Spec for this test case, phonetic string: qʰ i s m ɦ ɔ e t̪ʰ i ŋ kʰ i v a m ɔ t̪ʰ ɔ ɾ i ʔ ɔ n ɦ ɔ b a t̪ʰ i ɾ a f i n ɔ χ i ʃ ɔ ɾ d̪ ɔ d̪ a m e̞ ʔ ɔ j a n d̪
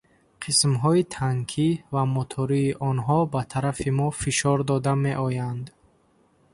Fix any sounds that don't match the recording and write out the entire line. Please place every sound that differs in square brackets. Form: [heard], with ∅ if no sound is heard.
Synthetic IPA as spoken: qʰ i s m ɦ ɔ [i] t̪ʰ [a] ŋ kʰ i v a m ɔ t̪ʰ ɔ ɾ [iː] ʔ ɔ n ɦ ɔ b a t̪ʰ [a] ɾ a f i [m] ɔ [f] i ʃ ɔ ɾ d̪ ɔ d̪ a m e̞ ʔ ɔ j a n d̪